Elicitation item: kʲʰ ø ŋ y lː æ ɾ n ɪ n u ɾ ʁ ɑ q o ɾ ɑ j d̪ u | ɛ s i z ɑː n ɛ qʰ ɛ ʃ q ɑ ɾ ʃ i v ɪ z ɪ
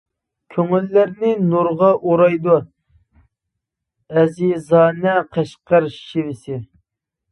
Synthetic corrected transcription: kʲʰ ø ŋ y lː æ ɾ n ɪ n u ɾ ʁ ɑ ʔ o ɾ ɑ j d̪ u | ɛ z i z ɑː n ɛ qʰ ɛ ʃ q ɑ ɾ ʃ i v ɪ s ɪ